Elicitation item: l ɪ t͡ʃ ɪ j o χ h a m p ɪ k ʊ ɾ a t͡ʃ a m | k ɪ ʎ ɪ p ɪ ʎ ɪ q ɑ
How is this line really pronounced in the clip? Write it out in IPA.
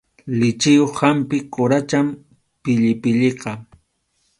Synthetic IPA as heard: l ɪ t͡ʃ ɪ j o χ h a m p ɪ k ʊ ɾ a t͡ʃ a m | p ɪ ʎ ɪ p ɪ ʎ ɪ q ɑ

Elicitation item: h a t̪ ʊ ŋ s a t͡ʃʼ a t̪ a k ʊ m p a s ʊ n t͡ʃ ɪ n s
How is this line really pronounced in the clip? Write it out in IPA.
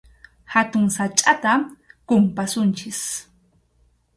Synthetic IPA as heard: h a t̪ ʊ ŋ s a t͡ʃʼ a t̪ a k ʊ m p a s ʊ n t͡ʃ ɪ s

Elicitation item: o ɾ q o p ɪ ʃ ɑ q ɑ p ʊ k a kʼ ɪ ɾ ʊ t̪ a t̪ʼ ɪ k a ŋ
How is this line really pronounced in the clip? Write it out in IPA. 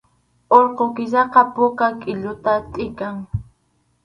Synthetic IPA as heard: o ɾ q o k ɪ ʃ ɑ q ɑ p ʊ k a kʼ ɪ ʎ ʊ t̪ a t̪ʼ ɪ k a ŋ

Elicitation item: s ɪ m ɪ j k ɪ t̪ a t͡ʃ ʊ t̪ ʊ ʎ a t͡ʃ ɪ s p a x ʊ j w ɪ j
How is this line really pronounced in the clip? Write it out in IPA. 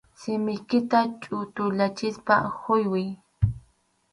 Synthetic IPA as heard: s ɪ m ɪ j k ɪ t̪ a t͡ʃʼ ʊ t̪ ʊ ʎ a t͡ʃ ɪ s p a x ʊ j w ɪ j

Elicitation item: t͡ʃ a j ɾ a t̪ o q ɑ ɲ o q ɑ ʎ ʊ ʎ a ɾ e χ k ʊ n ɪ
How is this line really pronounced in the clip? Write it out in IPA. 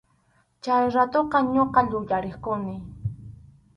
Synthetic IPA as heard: t͡ʃ a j ɾ a t̪ o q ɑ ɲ o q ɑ ʎ ʊ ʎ a ɾ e χ k ʊ n ɪ

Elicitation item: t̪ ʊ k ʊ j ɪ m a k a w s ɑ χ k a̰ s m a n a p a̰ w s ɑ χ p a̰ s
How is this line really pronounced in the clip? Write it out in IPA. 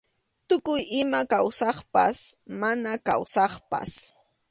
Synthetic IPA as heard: t̪ ʊ k ʊ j ɪ m a k a w s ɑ χ p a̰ s m a n a k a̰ w s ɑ χ p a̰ s

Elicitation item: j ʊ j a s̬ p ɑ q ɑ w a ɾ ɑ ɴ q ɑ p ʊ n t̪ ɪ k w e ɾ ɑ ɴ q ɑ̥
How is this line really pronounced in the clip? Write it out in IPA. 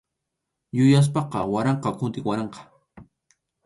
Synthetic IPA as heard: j ʊ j a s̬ p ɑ q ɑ w a ɾ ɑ ɴ q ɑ k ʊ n t̪ ɪ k w a ɾ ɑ ɴ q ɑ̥

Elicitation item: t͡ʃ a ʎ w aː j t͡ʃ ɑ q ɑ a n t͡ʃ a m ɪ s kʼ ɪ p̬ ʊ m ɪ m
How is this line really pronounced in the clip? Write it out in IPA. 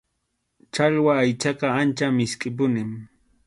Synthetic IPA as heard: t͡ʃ a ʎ w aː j t͡ʃ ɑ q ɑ a n t͡ʃ a m ɪ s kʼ ɪ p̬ ʊ n ɪ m

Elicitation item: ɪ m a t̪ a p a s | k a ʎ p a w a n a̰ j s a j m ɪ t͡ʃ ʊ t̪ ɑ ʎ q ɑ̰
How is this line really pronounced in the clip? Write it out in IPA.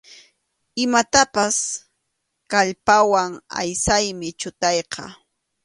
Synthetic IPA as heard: ɪ m a t̪ a p a s | k a ʎ p a w a ŋ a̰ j s a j m ɪ t͡ʃ ʊ t̪ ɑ j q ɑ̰

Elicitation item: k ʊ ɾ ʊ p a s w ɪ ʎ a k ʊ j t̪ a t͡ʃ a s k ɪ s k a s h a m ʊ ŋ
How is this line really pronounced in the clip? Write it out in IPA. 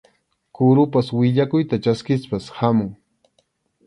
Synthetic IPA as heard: k ʊ ɾ ʊ p a s w ɪ ʎ a k ʊ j t̪ a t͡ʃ a s k ɪ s p a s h a m ʊ ŋ

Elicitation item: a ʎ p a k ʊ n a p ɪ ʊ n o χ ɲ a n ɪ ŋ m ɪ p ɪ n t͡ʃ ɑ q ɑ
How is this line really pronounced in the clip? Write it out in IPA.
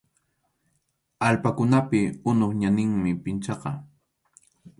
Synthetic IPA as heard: a l p a k ʊ n a p ɪ ʊ n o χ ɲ a n ɪ ŋ m ɪ p ɪ n t͡ʃ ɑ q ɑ

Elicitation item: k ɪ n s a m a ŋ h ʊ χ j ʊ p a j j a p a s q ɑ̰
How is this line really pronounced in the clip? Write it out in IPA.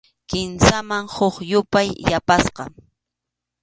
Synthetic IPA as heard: k ɪ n s a m a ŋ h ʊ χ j ʊ p a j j a p a s q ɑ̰

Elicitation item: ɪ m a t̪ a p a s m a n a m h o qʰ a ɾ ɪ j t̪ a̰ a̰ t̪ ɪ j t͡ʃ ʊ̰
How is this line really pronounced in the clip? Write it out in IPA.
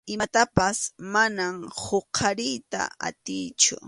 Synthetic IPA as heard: ɪ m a t̪ a p a s m a n a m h o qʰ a ɾ ɪ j t̪ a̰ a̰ t̪ ɪ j t͡ʃ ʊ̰

